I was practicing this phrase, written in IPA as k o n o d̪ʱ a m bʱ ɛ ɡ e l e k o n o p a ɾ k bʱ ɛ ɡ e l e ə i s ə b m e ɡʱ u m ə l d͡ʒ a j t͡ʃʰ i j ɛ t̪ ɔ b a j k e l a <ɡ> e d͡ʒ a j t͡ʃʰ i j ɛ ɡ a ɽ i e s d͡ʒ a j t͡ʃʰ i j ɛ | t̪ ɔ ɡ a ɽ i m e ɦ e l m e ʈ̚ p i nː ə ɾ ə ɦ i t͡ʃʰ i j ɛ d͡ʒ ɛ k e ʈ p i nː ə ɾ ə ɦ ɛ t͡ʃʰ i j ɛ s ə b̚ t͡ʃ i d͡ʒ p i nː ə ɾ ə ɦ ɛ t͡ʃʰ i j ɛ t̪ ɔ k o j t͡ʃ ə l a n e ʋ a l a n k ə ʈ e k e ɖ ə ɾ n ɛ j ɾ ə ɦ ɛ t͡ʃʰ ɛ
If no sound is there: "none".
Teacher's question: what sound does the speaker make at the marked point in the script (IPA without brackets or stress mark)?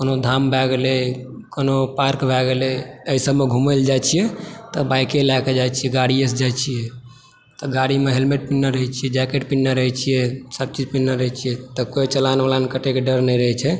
k